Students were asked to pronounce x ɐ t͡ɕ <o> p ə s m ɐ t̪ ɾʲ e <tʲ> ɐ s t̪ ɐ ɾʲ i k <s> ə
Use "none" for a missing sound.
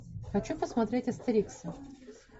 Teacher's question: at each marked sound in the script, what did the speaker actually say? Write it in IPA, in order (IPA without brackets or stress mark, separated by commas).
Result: u, tʲ, s